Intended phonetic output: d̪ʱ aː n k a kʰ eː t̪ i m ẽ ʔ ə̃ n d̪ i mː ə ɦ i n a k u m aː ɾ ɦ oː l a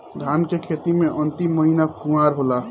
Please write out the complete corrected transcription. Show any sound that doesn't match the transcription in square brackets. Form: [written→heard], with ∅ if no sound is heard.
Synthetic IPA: d̪ʱ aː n k [a→e] kʰ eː t̪ i m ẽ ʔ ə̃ n [d̪→t̪] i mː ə ɦ i n a k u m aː ɾ ɦ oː l a